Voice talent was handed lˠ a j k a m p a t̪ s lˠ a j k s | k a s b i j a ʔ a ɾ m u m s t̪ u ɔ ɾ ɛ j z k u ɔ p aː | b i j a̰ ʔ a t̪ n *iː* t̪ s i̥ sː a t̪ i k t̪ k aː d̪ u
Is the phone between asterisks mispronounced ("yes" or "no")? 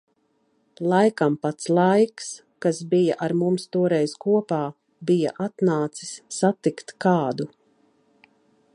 yes